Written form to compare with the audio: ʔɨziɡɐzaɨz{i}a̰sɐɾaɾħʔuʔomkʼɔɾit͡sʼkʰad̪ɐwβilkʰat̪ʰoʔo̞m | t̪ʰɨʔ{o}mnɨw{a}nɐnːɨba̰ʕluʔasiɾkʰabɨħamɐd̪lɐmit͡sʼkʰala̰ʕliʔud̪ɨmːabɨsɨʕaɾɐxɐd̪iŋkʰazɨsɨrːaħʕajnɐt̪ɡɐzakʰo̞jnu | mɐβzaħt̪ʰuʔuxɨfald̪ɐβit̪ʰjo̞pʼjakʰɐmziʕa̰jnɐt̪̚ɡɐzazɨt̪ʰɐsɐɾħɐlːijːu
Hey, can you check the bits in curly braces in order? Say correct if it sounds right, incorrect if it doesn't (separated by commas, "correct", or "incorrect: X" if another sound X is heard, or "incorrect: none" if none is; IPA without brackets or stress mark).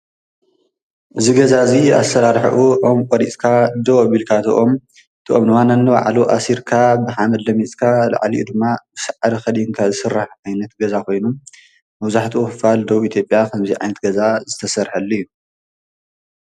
correct, correct, correct